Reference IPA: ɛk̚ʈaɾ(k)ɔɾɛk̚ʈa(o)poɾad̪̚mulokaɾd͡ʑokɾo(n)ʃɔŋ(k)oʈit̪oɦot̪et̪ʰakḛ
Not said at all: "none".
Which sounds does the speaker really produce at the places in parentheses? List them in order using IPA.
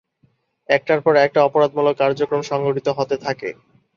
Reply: p, ɔ, m, ɡ

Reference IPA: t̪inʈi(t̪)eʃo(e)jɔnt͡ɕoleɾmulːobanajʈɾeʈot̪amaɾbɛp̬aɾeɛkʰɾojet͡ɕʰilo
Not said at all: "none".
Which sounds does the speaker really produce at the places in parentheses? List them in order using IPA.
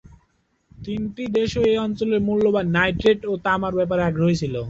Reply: d̪, e

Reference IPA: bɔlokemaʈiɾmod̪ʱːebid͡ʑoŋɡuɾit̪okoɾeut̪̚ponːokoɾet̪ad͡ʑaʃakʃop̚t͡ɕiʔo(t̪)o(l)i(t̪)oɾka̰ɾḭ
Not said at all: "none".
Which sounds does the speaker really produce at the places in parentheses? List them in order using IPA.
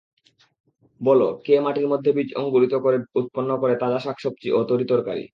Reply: t̪, ɾ, t̪

